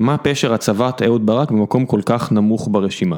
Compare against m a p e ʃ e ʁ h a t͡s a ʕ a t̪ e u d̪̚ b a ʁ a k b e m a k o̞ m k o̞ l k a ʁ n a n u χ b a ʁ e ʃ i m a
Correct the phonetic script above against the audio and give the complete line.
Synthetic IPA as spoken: m a p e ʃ e ʁ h a t͡s a v a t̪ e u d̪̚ b a ʁ a k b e m a k o̞ m k o̞ l k a χ n a m u χ b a ʁ e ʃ i m a